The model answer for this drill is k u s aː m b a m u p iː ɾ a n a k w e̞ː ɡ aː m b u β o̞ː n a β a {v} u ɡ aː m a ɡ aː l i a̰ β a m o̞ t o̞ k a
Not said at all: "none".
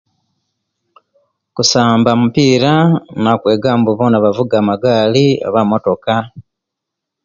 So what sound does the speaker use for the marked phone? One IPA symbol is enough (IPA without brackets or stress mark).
v